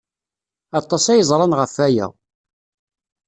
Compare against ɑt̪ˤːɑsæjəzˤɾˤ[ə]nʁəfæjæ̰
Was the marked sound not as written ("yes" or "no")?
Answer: yes